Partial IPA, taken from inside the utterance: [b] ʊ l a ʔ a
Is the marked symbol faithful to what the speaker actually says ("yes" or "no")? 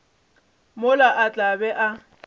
no